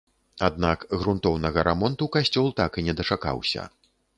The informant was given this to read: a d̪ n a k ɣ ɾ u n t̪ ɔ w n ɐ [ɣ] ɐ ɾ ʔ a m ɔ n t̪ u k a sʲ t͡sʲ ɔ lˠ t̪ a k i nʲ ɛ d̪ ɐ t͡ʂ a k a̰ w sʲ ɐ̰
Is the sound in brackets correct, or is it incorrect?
correct